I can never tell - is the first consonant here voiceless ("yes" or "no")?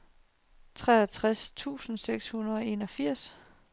yes